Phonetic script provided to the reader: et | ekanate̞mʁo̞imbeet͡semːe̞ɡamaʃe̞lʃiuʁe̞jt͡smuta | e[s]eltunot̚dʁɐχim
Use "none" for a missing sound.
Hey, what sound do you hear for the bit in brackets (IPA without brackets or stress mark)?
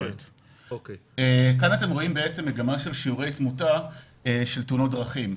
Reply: ʃ